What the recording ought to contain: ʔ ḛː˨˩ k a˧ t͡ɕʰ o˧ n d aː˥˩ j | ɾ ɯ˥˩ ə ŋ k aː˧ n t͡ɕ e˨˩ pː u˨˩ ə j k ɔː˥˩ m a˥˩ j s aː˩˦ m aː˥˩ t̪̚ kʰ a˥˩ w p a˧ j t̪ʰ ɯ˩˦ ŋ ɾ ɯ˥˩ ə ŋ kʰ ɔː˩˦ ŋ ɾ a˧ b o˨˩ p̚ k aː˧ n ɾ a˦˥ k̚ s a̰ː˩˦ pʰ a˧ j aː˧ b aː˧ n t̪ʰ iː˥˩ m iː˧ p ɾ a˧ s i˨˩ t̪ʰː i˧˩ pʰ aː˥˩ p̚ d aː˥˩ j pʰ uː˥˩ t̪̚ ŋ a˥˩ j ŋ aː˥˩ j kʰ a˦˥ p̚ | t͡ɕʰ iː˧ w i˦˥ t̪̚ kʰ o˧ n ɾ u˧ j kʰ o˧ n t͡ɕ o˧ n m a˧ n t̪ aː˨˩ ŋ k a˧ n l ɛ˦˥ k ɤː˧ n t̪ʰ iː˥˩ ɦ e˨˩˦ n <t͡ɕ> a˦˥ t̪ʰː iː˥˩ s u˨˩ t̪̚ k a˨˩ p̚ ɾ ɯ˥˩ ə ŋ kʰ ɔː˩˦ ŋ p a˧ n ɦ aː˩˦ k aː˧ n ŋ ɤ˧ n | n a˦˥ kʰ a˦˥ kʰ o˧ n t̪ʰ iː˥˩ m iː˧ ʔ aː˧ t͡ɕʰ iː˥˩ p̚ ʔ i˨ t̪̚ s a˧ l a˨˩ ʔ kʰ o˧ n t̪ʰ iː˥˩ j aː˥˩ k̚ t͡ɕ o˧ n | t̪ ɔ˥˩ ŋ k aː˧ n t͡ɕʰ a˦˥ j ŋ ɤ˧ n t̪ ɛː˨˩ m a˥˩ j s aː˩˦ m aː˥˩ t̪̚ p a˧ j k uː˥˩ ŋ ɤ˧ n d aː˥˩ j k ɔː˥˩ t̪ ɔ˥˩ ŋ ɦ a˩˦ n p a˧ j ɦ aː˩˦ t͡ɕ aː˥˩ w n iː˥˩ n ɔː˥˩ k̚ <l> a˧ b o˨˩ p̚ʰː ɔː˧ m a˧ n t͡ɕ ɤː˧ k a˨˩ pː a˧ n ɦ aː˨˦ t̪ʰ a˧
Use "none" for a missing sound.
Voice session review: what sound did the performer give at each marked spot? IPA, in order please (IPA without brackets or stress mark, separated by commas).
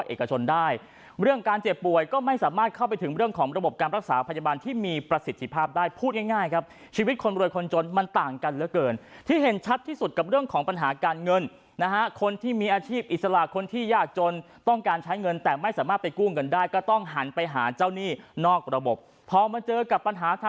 t͡ɕʰ, ɾ